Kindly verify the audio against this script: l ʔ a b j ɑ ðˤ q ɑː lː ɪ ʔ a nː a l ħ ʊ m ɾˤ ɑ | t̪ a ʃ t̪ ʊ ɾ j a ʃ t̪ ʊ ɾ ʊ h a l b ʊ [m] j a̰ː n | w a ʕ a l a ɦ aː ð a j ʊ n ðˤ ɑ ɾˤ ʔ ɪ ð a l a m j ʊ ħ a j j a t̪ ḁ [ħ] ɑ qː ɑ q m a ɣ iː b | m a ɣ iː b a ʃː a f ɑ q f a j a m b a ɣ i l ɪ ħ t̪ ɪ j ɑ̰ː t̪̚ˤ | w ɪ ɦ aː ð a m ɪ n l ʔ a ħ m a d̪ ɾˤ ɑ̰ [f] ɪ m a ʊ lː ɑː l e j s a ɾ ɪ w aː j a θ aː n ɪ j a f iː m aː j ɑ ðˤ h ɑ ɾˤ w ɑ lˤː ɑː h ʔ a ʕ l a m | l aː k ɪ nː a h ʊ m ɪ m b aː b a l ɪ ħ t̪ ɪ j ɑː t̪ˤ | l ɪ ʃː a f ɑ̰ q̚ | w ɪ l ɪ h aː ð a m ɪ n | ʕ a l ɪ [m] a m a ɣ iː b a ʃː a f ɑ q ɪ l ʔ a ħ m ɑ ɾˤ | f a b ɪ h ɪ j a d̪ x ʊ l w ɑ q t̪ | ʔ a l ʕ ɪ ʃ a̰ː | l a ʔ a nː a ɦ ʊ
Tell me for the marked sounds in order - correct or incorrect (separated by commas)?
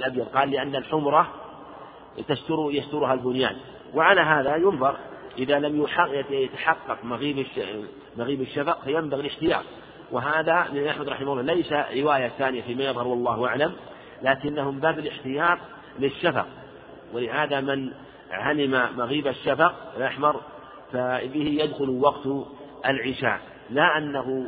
incorrect, correct, incorrect, correct